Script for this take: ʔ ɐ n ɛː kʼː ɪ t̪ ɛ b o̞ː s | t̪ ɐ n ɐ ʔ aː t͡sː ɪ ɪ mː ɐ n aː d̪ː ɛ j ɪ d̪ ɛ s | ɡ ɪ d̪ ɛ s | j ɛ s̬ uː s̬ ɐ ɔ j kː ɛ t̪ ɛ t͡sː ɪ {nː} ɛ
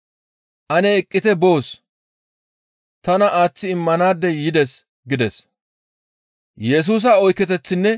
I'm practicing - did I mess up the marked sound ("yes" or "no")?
no